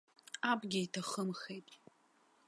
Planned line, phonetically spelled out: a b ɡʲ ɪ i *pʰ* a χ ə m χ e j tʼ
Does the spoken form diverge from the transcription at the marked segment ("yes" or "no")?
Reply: yes